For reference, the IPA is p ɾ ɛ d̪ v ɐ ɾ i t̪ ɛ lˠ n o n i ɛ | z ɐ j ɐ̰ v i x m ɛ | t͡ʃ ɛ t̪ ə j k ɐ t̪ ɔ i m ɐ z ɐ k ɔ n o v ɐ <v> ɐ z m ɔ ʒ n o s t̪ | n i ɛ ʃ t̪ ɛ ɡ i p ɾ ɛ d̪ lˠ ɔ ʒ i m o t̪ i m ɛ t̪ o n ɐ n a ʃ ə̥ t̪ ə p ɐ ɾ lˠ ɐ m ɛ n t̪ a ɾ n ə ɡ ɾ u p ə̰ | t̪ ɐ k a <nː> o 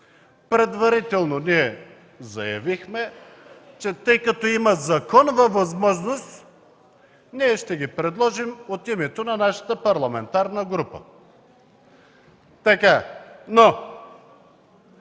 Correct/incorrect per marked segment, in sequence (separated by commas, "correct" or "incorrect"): correct, incorrect